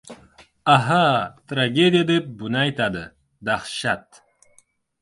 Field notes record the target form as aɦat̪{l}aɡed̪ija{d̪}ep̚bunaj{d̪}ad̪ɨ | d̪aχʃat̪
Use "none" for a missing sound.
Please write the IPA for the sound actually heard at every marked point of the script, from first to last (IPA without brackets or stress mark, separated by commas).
ɾ, d̪, t̪